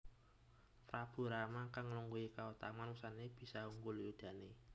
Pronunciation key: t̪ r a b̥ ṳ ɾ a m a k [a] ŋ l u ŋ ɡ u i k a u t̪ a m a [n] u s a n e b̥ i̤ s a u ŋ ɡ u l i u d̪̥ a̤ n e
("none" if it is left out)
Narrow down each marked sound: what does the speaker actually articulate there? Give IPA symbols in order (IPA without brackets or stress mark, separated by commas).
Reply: a, n